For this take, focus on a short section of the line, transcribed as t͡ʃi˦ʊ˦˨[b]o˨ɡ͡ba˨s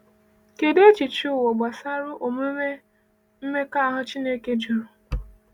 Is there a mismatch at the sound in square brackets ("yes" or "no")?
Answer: yes